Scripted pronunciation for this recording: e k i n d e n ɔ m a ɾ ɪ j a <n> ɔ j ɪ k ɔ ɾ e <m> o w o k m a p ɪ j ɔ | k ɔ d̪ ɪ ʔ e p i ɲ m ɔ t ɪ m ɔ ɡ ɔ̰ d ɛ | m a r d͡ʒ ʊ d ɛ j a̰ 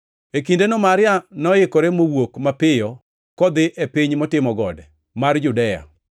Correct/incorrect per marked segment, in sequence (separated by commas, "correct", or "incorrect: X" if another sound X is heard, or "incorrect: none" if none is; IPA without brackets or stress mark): correct, correct